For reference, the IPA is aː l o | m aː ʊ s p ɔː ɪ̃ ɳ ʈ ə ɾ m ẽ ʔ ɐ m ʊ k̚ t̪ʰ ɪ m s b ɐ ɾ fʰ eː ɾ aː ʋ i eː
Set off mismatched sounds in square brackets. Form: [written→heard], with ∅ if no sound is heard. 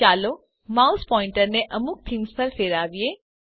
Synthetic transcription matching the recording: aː l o | m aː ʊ s p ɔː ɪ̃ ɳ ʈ ə ɾ [m→n] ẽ ʔ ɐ m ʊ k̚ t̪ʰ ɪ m s [b→p] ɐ ɾ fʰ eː ɾ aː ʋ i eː